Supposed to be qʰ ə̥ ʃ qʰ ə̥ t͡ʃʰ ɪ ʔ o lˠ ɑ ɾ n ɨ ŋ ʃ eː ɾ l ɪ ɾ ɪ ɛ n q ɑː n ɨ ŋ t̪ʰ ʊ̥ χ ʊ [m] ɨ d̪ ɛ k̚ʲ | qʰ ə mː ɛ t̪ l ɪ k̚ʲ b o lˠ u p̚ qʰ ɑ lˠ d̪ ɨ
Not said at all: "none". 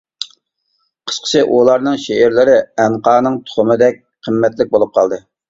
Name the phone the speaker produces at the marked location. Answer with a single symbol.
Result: m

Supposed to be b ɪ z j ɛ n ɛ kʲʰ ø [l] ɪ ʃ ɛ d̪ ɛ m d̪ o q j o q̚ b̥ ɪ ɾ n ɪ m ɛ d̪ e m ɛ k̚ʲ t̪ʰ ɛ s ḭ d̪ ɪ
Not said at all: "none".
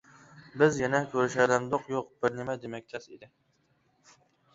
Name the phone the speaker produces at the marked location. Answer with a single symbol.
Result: ɾ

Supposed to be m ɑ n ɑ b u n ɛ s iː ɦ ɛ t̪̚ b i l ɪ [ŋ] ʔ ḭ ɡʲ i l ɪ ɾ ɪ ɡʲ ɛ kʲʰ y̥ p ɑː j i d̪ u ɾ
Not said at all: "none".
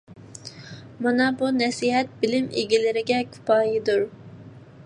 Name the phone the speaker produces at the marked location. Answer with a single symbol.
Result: m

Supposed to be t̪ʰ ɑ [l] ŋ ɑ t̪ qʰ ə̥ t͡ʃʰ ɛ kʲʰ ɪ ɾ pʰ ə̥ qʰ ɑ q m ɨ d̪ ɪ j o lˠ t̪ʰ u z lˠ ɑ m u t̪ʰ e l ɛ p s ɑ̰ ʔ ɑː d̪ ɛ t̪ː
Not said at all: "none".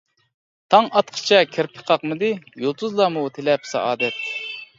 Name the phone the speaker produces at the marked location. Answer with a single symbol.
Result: none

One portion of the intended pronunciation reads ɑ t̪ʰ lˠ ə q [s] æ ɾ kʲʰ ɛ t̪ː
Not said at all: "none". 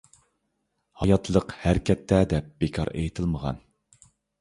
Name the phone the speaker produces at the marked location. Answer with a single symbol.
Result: h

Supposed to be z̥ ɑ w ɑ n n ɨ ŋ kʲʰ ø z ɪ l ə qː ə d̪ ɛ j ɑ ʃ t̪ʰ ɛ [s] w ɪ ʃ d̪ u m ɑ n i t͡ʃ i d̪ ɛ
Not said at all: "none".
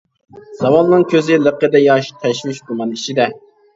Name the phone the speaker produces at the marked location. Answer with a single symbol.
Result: ʃ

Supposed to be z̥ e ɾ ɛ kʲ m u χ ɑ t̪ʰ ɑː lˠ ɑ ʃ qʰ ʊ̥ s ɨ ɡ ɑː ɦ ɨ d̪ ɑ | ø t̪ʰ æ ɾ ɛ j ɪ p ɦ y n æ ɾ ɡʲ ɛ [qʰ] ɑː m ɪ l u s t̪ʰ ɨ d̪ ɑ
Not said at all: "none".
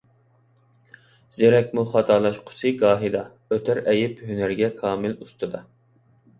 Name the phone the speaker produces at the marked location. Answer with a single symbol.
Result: kʰ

